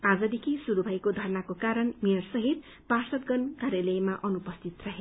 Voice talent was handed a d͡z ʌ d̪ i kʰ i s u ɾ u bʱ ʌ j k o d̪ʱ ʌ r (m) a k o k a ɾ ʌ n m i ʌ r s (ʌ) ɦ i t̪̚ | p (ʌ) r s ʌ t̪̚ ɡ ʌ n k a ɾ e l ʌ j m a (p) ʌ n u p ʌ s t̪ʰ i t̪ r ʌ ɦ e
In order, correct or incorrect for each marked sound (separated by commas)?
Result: incorrect, correct, incorrect, incorrect